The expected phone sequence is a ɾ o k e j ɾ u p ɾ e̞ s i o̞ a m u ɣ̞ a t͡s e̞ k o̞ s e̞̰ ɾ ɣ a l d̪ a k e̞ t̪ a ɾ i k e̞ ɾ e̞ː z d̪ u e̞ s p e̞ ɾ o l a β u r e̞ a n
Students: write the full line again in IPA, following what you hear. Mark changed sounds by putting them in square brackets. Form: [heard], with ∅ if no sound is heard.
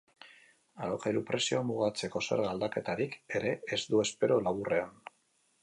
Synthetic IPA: a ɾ o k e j ɾ u p ɾ e̞ s i o̞ a m u ɣ̞ a t͡s e̞ k o̞ s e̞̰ ɾ ɣ a l d̪ a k e̞ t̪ a ɾ i k e̞ ɾ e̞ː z d̪ u e̞ s p e̞ ɾ o l a β u r e̞ a n